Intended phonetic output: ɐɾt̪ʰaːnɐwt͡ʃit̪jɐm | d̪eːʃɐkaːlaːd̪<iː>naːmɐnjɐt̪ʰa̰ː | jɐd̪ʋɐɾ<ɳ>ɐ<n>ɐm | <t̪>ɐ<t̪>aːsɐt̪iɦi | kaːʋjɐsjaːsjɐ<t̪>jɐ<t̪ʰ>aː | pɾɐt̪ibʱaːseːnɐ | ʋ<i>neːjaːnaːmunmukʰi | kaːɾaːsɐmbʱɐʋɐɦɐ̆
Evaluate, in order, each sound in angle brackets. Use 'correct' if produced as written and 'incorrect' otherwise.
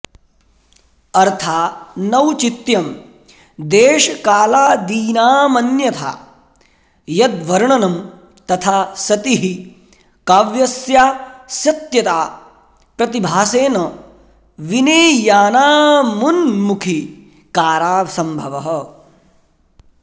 correct, correct, correct, correct, incorrect: t̪ʰ, correct, incorrect: t̪, correct

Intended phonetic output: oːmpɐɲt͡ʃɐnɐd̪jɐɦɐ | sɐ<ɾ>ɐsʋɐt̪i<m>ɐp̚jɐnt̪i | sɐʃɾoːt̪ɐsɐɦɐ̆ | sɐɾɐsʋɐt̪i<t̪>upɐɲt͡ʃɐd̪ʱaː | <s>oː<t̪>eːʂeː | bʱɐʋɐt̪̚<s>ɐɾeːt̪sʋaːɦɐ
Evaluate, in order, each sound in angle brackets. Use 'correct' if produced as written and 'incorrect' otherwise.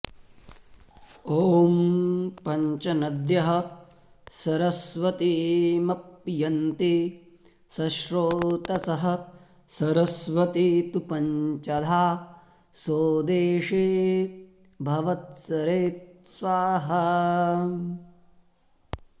correct, correct, correct, correct, incorrect: d̪, correct

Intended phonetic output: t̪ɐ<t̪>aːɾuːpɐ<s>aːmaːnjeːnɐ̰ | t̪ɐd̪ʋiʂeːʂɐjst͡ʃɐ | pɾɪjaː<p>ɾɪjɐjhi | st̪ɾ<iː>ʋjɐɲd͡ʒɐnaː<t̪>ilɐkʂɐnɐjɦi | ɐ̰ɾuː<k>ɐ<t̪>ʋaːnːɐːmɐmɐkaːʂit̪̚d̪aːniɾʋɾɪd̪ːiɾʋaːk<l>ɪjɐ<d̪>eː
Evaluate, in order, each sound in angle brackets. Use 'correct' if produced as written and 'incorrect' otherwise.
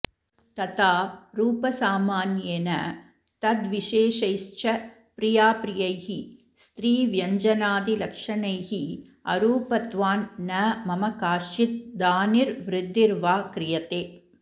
correct, correct, correct, correct, incorrect: d̪, incorrect: p, correct, incorrect: ɾ, incorrect: t̪

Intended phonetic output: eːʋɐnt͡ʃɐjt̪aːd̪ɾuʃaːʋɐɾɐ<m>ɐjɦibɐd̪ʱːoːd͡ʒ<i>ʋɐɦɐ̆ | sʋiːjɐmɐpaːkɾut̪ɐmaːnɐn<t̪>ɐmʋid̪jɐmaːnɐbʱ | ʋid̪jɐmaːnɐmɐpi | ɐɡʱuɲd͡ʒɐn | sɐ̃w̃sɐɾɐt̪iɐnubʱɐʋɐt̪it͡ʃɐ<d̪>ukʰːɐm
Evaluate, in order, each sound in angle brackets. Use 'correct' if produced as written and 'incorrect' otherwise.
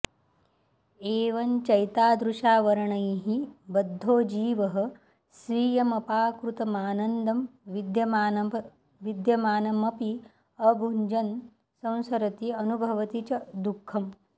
incorrect: ɳ, incorrect: iː, incorrect: d̪, correct

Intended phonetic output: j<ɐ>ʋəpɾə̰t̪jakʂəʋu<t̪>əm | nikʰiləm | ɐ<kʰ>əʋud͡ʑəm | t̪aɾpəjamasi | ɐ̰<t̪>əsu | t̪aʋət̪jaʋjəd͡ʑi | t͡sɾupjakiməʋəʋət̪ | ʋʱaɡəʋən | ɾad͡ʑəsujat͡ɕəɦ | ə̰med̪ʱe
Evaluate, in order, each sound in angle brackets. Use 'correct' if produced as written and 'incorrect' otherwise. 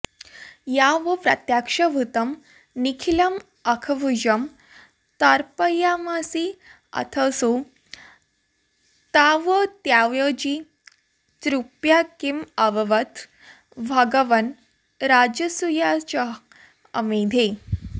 incorrect: a, correct, correct, incorrect: t̪ʰ

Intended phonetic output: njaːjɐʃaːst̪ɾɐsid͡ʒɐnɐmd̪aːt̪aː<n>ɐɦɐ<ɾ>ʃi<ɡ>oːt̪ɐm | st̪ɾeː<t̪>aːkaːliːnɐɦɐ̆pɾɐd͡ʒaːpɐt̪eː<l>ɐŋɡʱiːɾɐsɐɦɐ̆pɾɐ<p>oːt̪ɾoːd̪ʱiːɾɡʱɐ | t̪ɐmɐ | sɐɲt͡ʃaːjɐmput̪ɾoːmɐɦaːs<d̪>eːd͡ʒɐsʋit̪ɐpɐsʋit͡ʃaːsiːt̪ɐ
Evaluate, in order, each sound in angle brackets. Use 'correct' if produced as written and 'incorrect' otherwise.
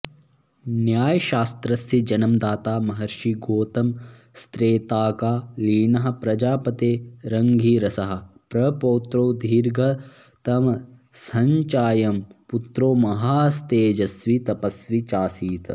incorrect: m, correct, correct, correct, incorrect: ɾ, correct, incorrect: t̪

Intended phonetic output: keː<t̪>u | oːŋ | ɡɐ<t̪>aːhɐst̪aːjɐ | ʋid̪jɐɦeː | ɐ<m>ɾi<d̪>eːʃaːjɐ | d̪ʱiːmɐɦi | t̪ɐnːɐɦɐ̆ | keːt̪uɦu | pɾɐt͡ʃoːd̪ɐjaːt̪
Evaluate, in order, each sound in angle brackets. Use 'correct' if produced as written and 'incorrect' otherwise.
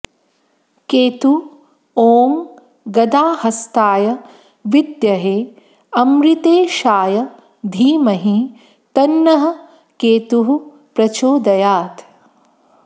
correct, incorrect: d̪, correct, incorrect: t̪

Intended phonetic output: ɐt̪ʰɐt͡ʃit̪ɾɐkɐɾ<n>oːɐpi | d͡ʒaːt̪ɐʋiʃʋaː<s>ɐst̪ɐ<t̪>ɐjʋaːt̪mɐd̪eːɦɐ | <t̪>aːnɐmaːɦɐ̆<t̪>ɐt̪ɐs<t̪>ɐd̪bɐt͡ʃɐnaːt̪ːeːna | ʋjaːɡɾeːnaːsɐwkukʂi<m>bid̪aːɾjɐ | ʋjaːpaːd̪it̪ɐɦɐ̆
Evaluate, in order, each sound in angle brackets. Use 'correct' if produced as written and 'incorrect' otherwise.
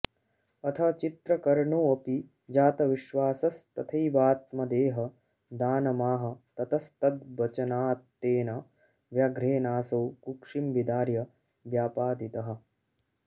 incorrect: ɳ, correct, incorrect: t̪ʰ, incorrect: d̪, correct, correct, correct

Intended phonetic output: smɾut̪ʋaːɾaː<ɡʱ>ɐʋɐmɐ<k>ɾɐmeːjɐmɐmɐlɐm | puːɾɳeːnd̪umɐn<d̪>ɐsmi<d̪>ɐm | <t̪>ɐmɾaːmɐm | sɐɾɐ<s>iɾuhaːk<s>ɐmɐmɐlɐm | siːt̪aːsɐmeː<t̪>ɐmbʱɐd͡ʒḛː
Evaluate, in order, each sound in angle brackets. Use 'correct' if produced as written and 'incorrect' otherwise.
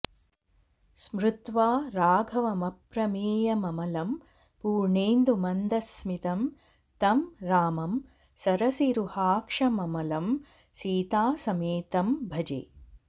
correct, incorrect: p, correct, incorrect: t̪, correct, correct, incorrect: ʂ, correct

